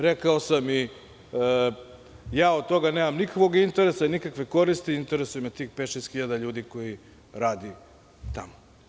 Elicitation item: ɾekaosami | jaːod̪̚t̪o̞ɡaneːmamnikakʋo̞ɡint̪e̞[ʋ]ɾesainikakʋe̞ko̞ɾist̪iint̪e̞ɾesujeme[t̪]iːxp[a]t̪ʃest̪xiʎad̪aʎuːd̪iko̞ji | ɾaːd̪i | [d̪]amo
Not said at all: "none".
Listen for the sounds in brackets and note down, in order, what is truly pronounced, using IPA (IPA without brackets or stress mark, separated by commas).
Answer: none, t̪, e, t̪